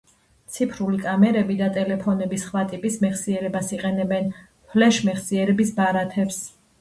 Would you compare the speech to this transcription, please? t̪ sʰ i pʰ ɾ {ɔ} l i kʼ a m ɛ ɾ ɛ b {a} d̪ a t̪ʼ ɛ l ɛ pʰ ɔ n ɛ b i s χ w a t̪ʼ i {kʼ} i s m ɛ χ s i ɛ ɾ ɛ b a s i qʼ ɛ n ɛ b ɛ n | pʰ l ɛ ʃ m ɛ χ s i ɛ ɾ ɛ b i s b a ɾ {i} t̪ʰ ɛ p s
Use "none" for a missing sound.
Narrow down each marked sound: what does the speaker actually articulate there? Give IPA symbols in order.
u, i, pʼ, a

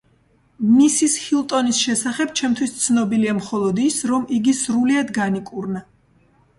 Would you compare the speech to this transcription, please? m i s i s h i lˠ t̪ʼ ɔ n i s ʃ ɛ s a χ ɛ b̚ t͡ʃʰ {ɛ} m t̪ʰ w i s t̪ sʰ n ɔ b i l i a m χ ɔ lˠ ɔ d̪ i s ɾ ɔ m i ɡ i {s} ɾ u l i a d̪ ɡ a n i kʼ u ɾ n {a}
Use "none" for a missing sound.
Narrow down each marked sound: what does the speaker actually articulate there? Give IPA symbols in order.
ɛ, s, a

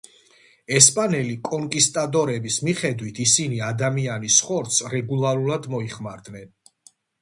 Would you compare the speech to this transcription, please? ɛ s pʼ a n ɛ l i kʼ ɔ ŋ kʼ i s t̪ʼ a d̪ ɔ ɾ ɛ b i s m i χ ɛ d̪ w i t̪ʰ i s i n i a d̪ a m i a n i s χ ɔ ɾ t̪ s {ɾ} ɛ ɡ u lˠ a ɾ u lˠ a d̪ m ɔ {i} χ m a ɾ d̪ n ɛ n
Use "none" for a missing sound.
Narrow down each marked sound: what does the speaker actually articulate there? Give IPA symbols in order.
ɾ, i

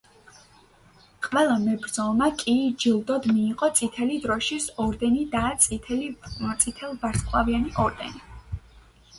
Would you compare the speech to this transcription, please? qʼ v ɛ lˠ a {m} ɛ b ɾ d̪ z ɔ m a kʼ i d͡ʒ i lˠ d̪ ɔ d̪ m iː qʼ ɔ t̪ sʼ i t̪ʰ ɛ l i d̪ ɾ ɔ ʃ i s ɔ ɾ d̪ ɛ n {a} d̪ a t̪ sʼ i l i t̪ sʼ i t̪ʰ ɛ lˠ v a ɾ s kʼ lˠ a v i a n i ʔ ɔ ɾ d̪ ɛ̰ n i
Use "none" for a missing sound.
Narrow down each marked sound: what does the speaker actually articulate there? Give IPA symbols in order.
m, i

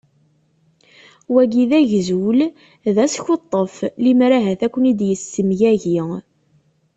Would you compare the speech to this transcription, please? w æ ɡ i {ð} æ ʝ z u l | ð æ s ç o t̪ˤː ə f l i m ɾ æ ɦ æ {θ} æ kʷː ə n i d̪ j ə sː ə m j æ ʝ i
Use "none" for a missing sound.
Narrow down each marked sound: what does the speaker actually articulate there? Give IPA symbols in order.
ð, θ

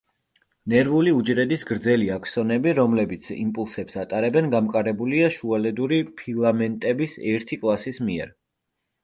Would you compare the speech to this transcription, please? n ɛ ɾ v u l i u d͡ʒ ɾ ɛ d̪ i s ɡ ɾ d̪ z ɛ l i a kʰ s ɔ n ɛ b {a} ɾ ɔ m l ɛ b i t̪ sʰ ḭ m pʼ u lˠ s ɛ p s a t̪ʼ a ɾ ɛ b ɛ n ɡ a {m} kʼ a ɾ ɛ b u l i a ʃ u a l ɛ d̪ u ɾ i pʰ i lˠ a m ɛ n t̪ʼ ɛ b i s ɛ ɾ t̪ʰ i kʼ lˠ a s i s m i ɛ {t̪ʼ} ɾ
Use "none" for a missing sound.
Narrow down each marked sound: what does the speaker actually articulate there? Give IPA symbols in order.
i, m, none

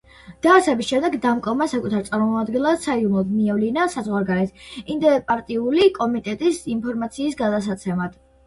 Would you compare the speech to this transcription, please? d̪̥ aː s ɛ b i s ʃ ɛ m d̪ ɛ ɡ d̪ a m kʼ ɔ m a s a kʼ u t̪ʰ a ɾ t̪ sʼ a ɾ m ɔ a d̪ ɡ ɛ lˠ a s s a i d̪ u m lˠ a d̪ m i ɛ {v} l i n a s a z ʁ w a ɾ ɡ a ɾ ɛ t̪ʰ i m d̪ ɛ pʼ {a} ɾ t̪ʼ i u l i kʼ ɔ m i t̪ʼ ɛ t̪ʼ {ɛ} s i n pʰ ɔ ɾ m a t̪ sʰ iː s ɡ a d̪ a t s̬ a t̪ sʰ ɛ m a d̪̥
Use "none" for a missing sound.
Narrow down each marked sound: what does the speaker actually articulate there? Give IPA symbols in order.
v, a, i

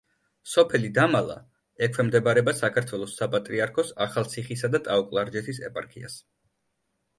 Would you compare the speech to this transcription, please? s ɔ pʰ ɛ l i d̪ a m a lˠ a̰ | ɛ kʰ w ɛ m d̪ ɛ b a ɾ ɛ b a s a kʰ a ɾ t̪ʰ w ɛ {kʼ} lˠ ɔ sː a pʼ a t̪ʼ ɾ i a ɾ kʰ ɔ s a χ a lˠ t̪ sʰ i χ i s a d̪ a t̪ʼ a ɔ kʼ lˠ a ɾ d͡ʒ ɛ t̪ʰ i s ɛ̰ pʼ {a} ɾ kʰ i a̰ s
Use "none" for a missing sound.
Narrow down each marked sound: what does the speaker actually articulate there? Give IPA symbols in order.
none, a

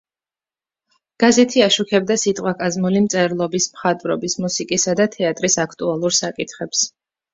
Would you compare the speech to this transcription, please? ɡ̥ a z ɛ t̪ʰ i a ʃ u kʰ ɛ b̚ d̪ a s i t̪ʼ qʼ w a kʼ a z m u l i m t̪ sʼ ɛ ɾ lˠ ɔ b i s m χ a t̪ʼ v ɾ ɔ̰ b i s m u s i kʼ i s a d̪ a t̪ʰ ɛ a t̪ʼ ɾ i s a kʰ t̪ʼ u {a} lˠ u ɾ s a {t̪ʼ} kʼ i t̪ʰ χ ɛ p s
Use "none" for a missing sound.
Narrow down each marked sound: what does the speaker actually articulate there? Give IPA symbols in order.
a, none

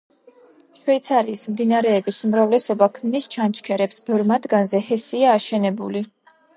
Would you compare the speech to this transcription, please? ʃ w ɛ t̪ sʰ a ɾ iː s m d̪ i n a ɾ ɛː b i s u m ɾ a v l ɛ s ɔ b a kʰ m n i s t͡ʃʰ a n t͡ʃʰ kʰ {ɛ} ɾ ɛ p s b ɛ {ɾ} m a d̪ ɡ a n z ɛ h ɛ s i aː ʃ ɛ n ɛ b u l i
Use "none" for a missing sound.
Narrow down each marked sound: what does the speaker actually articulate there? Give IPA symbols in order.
ɛ, ɾ

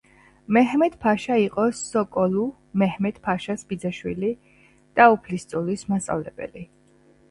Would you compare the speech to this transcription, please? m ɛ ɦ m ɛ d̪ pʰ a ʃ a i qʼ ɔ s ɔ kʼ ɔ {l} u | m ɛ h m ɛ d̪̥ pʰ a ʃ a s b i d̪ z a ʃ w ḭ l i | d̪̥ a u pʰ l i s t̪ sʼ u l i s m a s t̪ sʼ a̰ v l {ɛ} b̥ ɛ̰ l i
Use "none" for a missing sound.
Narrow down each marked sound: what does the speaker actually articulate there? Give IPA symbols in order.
l, ɛ

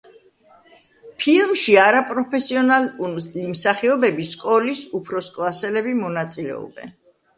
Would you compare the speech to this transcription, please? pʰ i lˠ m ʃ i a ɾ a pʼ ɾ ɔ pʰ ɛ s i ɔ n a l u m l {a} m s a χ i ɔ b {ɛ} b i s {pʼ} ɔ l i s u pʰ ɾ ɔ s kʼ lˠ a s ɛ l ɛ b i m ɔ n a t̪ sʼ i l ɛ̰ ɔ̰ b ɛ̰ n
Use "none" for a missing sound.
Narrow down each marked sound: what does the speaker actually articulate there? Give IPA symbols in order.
i, ɛ, kʼ

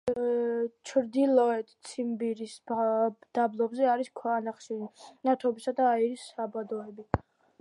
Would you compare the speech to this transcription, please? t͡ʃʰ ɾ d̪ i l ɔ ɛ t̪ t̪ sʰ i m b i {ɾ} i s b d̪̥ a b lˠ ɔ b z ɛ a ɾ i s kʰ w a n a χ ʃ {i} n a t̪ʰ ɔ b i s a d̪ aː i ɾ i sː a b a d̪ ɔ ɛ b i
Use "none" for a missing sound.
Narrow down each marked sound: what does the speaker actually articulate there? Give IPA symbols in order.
ɾ, i

